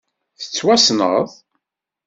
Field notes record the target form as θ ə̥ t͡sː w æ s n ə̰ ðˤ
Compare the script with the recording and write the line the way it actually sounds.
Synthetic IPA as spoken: θ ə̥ t͡sː w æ s n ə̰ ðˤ

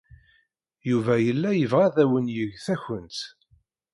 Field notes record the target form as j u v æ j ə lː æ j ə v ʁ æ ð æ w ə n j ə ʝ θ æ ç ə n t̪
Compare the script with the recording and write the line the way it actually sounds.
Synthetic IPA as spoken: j u v æ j ə lː æ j ə v ʁ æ ð æ w ə n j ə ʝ θ æ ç ə n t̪

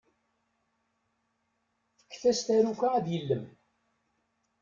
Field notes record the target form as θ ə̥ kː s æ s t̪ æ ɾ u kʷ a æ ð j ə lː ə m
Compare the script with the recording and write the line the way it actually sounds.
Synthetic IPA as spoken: θ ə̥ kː θ æ s t̪ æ ɾ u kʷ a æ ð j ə lː ə m

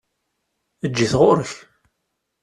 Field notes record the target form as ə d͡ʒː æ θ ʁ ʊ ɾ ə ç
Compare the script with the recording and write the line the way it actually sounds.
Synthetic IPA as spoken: ə d͡ʒː i θ ʁ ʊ ɾ ə ç

